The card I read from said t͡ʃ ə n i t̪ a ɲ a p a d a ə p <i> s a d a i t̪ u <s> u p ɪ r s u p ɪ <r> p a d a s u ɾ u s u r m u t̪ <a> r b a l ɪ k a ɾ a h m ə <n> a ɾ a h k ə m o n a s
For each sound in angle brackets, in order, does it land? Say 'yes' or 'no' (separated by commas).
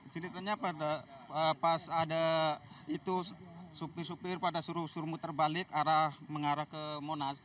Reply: no, yes, yes, no, no